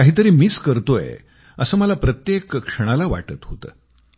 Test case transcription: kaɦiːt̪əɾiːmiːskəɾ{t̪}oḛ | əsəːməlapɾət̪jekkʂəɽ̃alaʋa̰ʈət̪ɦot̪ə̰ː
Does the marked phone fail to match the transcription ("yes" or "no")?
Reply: no